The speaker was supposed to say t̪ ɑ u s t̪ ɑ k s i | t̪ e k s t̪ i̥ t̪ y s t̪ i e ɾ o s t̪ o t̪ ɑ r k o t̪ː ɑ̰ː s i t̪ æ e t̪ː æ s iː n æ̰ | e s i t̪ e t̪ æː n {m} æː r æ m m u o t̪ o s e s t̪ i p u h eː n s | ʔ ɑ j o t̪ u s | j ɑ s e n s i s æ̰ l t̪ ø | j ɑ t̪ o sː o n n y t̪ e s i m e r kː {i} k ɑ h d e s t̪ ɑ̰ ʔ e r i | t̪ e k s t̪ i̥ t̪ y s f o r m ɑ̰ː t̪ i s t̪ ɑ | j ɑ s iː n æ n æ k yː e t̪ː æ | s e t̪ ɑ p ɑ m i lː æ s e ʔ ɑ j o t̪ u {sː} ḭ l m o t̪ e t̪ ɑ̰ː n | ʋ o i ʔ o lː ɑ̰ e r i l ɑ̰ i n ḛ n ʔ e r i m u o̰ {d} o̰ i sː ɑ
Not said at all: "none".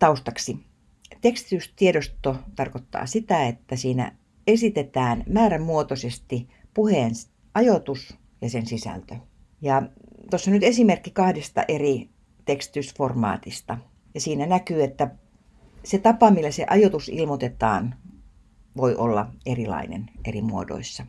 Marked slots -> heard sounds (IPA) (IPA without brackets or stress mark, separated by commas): m, i, s, d